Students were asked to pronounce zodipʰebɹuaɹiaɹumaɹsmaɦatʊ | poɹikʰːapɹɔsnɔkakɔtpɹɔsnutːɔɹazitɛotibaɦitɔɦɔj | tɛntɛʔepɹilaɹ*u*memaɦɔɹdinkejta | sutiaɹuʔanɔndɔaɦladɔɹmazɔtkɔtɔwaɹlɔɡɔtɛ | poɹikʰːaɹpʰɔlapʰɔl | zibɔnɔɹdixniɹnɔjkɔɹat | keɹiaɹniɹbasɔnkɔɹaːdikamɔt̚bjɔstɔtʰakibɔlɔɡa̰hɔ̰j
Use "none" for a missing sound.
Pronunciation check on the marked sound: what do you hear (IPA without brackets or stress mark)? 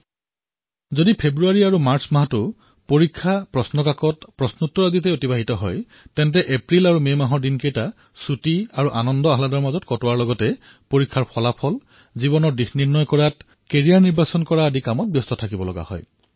u